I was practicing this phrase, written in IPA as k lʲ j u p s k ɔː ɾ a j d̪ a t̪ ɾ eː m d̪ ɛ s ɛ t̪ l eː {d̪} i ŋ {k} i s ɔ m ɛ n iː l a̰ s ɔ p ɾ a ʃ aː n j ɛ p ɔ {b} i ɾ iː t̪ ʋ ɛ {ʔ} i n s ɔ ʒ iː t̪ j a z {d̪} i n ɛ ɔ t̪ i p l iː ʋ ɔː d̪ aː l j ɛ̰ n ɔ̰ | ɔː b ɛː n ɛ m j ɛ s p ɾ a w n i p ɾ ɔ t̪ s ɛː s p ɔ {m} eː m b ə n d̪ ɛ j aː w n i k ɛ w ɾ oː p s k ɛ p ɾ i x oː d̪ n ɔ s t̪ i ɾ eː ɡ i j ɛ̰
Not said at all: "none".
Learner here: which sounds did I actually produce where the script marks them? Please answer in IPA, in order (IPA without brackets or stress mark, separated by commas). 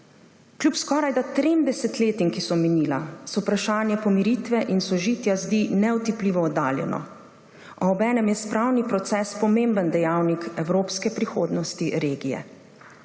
t̪, k, m, ʔ, d̪, m